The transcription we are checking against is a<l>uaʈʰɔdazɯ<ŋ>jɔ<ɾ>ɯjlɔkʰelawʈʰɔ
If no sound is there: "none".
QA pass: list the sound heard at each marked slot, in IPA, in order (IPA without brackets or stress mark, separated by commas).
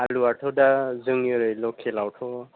l, ŋ, ɾ